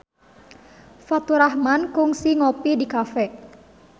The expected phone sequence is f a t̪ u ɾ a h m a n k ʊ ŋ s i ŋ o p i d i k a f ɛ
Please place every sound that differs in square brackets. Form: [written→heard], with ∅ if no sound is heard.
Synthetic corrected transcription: f a t̪ u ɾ a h m a n k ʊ ŋ s i ŋ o p i d i k a f ɛ